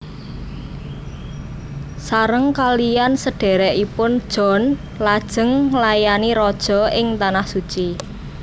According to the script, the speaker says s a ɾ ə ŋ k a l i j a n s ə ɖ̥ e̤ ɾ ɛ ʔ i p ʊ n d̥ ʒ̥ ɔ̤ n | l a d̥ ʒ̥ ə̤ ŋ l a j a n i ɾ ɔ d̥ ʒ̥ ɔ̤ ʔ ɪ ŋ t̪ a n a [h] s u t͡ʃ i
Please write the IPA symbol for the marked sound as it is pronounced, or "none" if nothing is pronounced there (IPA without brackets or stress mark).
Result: h